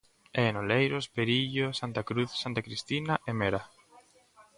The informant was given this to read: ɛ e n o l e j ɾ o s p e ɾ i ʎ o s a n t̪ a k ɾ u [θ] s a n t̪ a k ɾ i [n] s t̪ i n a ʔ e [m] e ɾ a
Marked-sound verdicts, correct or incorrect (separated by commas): correct, incorrect, correct